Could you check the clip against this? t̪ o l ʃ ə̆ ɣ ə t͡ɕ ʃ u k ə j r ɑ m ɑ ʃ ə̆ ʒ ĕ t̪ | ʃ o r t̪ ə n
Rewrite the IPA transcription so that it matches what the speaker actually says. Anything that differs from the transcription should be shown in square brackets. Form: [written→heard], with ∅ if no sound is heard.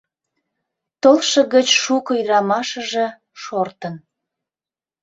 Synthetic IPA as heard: t̪ o l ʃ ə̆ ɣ ə t͡ɕ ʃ u k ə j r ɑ m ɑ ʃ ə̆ ʒ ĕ [t̪→∅] | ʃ o r t̪ ə n